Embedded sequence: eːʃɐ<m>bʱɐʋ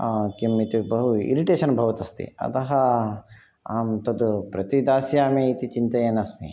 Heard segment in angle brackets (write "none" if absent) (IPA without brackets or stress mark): n